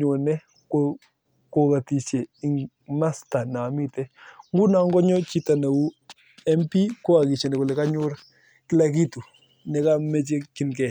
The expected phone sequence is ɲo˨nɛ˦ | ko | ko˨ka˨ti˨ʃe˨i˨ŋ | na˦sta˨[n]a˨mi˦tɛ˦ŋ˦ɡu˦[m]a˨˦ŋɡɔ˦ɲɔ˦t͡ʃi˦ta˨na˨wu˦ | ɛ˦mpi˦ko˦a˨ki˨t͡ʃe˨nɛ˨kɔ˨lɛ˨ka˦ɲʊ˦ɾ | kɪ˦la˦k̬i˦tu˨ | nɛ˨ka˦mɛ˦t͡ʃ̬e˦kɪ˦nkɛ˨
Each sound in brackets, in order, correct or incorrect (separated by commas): correct, incorrect